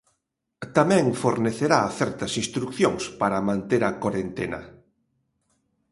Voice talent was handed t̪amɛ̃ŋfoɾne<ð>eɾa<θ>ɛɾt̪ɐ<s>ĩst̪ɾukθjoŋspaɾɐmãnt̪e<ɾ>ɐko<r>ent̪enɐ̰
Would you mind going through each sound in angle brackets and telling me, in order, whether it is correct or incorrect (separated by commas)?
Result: incorrect, correct, correct, correct, incorrect